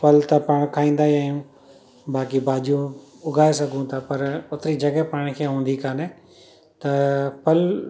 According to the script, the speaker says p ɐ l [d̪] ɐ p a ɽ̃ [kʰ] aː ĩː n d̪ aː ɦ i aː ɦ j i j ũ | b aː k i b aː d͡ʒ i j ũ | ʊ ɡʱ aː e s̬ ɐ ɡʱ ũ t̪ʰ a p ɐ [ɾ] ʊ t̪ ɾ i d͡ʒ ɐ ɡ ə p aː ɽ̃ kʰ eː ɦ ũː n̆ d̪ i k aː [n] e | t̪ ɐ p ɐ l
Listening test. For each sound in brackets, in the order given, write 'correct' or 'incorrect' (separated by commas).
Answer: incorrect, correct, correct, correct